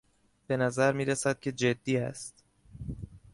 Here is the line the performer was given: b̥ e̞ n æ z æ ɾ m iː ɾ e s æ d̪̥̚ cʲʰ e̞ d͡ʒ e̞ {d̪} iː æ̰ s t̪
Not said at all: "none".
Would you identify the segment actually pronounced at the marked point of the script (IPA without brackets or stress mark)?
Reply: d̪ː